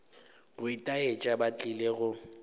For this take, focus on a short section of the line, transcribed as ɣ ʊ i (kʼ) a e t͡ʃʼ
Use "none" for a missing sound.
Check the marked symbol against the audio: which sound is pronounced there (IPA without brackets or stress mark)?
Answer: tʼ